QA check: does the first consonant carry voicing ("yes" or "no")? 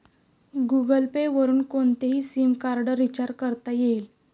yes